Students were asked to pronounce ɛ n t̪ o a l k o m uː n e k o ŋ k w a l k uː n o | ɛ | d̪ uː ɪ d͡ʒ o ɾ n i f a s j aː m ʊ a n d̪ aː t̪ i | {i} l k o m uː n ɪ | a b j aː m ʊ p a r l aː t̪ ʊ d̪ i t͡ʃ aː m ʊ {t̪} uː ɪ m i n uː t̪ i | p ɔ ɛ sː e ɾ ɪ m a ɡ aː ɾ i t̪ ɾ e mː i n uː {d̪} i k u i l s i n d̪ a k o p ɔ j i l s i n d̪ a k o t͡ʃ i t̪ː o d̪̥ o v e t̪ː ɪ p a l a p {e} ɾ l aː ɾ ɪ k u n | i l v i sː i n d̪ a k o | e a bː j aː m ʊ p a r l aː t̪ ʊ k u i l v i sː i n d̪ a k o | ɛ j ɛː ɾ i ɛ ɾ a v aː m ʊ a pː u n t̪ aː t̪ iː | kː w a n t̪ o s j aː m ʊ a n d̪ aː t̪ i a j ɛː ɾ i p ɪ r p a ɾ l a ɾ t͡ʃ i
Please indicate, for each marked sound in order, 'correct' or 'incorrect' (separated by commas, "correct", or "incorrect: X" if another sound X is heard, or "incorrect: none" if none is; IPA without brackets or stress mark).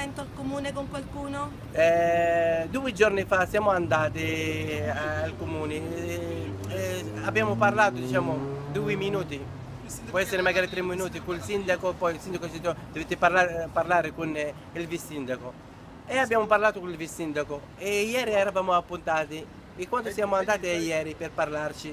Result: incorrect: a, incorrect: d̪, incorrect: t̪, incorrect: a